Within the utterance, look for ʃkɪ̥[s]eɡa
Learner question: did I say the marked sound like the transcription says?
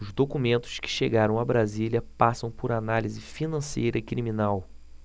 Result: no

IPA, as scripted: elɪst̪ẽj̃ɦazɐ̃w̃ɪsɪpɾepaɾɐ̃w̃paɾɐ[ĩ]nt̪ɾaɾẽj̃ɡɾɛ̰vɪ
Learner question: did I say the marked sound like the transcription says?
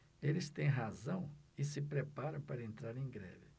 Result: no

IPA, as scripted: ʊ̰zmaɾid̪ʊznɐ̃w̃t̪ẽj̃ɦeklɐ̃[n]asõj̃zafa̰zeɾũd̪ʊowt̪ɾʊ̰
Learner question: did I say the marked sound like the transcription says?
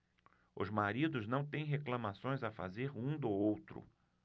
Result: no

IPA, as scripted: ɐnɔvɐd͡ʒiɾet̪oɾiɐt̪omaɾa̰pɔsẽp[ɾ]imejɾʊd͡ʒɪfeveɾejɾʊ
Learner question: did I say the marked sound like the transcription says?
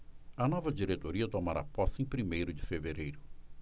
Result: yes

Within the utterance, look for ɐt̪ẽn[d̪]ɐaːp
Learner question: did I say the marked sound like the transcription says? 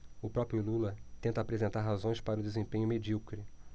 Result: no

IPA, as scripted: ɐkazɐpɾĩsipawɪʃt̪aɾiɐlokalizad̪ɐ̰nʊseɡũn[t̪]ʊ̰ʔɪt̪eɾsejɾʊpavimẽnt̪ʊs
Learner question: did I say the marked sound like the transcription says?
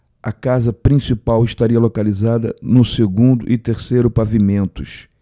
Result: no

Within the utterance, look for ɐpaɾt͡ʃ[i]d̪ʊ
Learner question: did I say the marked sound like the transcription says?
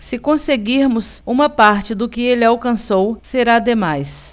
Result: no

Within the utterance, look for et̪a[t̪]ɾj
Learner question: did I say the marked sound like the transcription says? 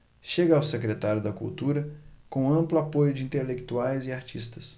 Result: no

